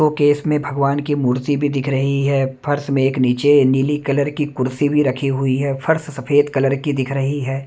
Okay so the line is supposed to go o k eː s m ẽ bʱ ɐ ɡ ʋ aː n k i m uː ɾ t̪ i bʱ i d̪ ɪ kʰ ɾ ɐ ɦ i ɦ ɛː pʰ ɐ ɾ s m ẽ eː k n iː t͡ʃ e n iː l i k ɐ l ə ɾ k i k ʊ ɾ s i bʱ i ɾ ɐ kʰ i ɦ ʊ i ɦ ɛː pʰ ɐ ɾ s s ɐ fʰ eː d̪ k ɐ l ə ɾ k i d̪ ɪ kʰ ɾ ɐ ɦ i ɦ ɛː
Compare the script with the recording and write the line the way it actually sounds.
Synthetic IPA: o k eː s m ẽ bʱ ɐ ɡ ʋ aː n k i m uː ɾ t̪ i bʱ i d̪ ɪ kʰ ɾ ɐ ɦ i ɦ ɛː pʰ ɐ ɾ s m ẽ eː k n iː t͡ʃ e n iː l i k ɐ l ə ɾ k i k ʊ ɾ s i bʱ i ɾ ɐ kʰ i ɦ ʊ i ɦ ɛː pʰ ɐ ɾ s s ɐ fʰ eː d̪ k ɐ l ə ɾ k i d̪ ɪ kʰ ɾ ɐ ɦ i ɦ ɛː